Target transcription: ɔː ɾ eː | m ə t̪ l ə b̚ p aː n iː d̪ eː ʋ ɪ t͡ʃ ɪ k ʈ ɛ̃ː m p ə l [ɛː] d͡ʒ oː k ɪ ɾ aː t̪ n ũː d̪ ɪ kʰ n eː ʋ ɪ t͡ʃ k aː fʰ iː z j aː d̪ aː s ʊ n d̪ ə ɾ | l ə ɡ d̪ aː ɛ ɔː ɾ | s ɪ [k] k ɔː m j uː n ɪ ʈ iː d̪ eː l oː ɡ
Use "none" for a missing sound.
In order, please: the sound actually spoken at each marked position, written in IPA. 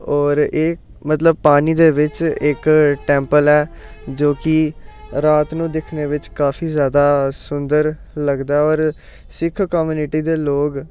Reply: ɛː, kʰ

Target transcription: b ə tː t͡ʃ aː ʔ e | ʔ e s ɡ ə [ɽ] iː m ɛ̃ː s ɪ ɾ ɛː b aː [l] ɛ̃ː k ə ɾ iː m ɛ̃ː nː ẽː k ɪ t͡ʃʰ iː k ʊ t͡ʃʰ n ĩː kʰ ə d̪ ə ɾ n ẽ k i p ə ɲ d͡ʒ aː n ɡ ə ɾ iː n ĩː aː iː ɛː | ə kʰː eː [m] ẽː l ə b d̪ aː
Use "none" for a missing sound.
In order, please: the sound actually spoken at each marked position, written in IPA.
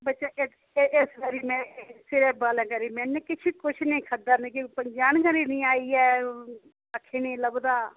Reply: ɾ, l, n

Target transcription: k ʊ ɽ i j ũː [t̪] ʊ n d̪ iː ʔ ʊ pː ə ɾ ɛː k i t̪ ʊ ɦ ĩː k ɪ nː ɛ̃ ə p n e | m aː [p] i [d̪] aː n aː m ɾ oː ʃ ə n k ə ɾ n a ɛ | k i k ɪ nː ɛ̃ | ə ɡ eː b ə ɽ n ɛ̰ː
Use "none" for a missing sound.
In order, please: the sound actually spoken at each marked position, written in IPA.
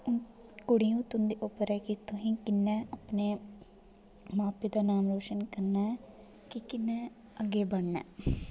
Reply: t̪, p, d̪

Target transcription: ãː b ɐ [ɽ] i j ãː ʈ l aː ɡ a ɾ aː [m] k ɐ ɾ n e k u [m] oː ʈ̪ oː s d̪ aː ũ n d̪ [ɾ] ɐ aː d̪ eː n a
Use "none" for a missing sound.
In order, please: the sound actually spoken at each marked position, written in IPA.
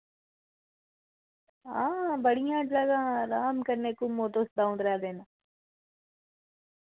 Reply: ɽ, m, m, ɾ

